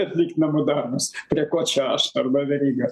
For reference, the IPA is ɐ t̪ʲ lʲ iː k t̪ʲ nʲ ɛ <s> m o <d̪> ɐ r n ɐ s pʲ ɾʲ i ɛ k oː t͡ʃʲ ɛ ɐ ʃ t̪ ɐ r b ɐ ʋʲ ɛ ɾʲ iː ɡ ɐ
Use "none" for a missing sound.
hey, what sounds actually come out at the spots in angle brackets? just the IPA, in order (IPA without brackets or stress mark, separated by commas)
none, d̪